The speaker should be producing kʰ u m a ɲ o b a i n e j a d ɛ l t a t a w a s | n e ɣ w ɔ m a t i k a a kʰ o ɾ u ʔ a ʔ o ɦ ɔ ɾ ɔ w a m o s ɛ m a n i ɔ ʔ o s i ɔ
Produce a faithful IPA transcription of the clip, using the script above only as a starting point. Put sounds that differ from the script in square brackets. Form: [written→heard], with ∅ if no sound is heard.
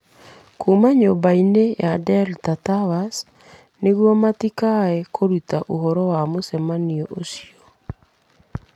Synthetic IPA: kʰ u m a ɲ o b a i n e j a d ɛ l t a t a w a s | n e ɣ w ɔ m a t i k a [a→ɛ] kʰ o ɾ u [ʔ→t] a ʔ o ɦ ɔ ɾ ɔ w a m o s ɛ m a n i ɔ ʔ o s i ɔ

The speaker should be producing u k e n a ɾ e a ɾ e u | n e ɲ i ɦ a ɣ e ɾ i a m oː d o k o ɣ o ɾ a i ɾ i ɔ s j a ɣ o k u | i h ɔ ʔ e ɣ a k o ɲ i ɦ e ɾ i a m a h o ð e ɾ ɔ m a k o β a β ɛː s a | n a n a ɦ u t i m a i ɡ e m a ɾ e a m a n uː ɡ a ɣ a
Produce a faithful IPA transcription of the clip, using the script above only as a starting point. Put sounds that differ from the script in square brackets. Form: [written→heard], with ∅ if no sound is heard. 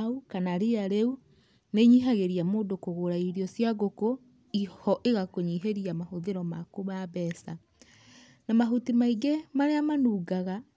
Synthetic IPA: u k [e→a] n a ɾ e a ɾ e u | n e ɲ i ɦ a ɣ e ɾ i a m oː d o k o ɣ o ɾ a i ɾ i ɔ s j a ɣ o k [u→o] | i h ɔ ʔ e ɣ a k o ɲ i ɦ e ɾ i a m a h o ð e ɾ ɔ m a k o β a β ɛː s a | n a [n→m] a ɦ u t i m a i ɡ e m a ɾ e a m a n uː ɡ a ɣ a

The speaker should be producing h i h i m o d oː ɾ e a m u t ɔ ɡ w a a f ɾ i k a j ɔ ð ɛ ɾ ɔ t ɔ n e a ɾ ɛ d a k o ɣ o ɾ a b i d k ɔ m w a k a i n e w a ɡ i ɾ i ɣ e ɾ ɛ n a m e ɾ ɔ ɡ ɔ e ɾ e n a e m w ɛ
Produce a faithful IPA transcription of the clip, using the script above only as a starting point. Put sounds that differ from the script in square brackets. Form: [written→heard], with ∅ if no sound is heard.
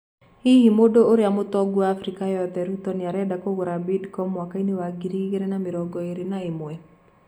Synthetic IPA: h i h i m o d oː ɾ e a m [u→o] t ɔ ɡ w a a f ɾ i k a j ɔ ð ɛ ɾ [ɔ→u] t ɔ n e a ɾ ɛ d a k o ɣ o ɾ a b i d k ɔ m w a k a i n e w a ɡ i ɾ i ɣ e ɾ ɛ n a m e ɾ ɔ ɡ ɔ e ɾ e n a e m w ɛ

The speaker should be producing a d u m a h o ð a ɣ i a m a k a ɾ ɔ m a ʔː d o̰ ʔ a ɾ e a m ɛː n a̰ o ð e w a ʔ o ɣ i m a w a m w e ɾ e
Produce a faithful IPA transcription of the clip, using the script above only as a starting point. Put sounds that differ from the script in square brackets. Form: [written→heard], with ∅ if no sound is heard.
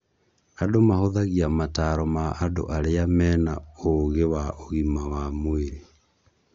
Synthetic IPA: a d [u→o] m a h o ð a ɣ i a m a [k→t] a ɾ ɔ m a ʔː d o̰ ʔ a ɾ e a m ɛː n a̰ o [ð→ɣ] e w a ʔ o ɣ i m a w a m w e ɾ e

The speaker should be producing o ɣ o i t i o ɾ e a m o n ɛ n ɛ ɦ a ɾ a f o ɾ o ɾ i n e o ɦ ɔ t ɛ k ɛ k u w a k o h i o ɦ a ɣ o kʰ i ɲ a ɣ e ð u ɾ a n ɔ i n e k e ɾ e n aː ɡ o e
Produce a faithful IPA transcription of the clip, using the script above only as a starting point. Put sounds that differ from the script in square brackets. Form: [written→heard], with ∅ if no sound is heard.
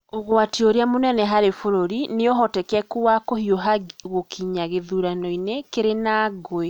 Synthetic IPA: o ɣ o [i→a] t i o ɾ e a m o n ɛ n ɛ ɦ a ɾ [a→e] f o ɾ o ɾ i n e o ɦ ɔ t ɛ k ɛ k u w a k o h i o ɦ a ɣ o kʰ i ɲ a ɣ e ð u ɾ a n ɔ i n e k e ɾ e n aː ɡ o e

